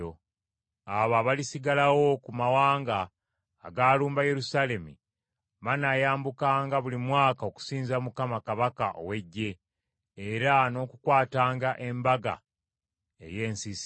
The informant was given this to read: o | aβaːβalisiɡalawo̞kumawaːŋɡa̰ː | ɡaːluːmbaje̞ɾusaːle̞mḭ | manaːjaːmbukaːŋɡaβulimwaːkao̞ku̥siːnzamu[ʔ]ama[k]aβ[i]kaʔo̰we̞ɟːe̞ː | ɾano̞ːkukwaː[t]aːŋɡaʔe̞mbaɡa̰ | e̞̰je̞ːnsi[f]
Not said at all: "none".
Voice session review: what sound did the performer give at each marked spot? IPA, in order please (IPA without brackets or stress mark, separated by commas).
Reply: k, k, a, t, s